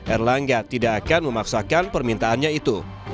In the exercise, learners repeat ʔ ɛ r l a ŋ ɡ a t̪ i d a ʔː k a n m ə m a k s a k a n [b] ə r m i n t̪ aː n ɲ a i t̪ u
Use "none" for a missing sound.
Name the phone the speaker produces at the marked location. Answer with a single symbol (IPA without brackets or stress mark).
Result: p